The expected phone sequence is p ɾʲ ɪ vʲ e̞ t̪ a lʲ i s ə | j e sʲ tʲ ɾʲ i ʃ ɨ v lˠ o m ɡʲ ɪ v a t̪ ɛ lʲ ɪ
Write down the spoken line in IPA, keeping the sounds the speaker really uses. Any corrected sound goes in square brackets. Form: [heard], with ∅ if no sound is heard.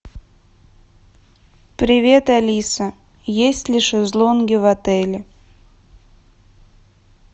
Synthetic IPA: p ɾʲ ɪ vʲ e̞ t̪ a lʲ i s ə | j e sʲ tʲ [lʲ] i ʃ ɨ [z] lˠ o [n] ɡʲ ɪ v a t̪ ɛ lʲ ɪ